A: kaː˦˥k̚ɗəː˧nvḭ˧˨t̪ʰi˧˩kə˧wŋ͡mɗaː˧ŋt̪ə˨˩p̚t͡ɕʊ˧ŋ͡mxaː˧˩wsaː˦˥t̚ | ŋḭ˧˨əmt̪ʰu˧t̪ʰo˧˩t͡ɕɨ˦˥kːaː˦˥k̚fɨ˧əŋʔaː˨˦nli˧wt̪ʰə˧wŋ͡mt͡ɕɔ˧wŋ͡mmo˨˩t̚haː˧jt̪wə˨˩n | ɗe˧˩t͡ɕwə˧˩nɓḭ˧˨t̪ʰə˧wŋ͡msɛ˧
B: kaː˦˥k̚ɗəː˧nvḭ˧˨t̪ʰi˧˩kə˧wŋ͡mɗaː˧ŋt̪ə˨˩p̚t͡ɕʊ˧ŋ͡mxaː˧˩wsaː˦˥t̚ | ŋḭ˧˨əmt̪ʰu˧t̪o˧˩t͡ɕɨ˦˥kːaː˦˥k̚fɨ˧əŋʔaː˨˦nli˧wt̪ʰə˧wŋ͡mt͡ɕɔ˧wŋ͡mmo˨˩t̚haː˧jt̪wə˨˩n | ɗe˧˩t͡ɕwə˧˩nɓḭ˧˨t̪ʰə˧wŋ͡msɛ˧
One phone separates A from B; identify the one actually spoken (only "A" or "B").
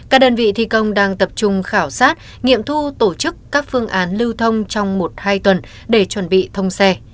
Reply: B